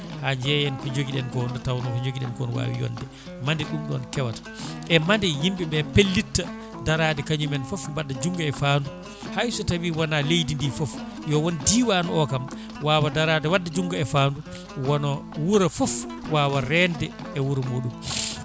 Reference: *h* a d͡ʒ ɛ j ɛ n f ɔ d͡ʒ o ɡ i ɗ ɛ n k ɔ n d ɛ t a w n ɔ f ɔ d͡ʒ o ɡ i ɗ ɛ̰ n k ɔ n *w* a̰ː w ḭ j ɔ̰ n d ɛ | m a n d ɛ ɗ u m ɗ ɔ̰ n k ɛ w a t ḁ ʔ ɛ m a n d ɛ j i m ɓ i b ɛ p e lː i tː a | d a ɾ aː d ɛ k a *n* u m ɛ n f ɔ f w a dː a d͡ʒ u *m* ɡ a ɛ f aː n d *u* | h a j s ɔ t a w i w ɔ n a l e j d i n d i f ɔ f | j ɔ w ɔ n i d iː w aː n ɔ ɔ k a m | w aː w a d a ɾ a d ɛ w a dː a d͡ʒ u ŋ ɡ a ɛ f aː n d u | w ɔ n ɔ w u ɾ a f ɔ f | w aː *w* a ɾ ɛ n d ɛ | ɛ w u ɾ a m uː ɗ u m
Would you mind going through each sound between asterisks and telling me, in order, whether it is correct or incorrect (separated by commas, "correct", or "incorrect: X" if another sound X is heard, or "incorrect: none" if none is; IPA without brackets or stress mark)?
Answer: correct, correct, incorrect: ɲ, incorrect: ŋ, correct, correct